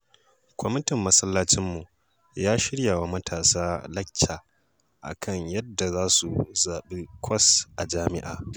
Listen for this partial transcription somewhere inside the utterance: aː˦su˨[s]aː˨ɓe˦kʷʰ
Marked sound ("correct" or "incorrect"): incorrect